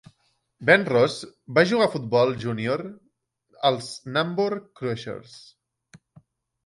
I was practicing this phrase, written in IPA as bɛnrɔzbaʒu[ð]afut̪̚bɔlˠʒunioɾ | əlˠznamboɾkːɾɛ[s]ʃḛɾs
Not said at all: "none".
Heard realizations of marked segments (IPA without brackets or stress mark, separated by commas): ɣ, none